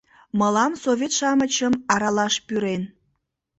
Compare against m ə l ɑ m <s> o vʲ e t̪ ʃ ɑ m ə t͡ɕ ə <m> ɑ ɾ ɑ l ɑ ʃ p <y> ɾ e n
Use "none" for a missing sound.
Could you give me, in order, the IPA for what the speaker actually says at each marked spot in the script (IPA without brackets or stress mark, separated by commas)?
s, m, y